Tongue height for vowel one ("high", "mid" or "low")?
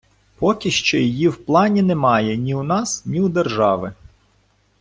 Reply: mid